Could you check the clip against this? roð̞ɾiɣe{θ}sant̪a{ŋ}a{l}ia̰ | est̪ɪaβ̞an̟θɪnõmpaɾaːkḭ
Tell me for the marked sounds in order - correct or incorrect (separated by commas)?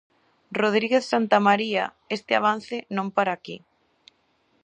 correct, incorrect, incorrect